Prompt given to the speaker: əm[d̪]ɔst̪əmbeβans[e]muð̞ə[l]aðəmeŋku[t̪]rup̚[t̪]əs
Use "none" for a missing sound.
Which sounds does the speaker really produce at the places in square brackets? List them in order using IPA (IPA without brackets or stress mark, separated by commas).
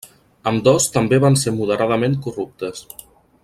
d̪, e, ɾ, none, t̪